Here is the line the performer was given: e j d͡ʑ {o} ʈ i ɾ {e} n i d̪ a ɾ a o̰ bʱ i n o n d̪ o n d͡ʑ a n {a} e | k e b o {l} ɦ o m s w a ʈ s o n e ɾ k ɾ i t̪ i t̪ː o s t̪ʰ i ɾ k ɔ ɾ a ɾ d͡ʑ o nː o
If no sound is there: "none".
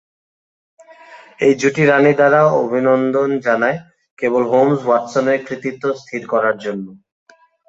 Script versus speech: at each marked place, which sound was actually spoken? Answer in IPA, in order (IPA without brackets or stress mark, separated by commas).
u, a, a, l